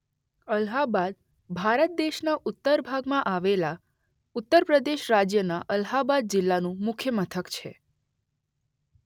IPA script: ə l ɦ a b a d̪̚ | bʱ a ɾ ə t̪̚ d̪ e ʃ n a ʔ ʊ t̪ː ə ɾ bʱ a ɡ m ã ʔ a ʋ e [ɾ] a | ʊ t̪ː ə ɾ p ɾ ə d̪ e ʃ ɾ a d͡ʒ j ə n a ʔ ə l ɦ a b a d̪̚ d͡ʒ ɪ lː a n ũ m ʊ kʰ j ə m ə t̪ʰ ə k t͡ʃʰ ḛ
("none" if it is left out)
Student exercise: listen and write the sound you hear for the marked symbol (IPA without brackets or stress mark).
l